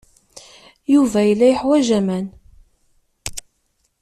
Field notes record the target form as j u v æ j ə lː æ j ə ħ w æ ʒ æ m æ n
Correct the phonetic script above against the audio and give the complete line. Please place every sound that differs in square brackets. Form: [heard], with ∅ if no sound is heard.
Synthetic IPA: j u v æ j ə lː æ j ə ħ w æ ʒ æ m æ n